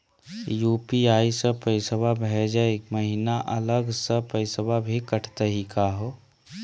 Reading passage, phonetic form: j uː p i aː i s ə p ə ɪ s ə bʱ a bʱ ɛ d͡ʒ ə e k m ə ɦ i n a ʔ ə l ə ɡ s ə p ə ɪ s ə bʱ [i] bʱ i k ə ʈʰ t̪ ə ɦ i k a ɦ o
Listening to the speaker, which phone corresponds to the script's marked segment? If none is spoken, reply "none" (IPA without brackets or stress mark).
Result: a